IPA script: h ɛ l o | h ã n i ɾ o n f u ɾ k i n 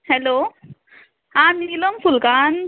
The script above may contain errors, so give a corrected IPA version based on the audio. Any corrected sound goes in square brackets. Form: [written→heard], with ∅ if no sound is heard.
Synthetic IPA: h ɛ l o | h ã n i [ɾ→l] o [n→m] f u [ɾ→l] k [i→a] n